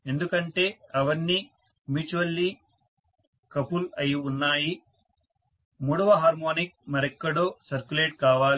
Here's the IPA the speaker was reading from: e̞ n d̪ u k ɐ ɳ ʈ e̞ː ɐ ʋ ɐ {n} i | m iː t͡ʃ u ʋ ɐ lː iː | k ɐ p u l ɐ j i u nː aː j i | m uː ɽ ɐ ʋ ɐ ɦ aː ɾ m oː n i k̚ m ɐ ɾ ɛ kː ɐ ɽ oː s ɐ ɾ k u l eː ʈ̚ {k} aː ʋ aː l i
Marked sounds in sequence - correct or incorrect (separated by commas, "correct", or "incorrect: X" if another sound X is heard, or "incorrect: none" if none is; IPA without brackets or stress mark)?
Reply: incorrect: nː, correct